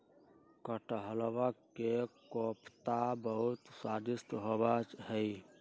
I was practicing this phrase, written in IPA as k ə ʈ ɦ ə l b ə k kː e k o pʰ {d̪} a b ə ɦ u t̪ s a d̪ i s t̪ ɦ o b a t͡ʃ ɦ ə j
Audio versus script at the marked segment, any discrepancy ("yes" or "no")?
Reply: yes